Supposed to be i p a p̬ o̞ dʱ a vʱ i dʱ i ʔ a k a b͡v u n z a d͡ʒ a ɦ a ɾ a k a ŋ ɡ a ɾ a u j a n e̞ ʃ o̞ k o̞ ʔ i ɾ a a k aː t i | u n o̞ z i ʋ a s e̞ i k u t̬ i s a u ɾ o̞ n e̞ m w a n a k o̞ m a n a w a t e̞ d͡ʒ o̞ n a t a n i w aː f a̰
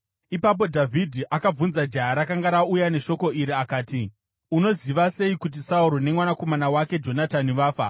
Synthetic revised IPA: i p a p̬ o̞ dʱ a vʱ i dʱ i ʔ a k a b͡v u n z a d͡ʒ a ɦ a ɾ a k a ŋ ɡ a ɾ a u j a n e̞ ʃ o̞ k o̞ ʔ i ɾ i a k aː t i | u n o̞ z i ʋ a s e̞ i k u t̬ i s a u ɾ o̞ n e̞ m w a n a k o̞ m a n a w a k e̞ d͡ʒ o̞ n a t a n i ʋ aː f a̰